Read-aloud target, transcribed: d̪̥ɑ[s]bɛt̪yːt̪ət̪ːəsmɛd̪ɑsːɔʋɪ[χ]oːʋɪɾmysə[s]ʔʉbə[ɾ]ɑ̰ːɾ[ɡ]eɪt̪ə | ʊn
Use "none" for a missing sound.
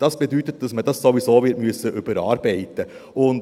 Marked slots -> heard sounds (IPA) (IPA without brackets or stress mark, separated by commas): s, s, none, ɾ, b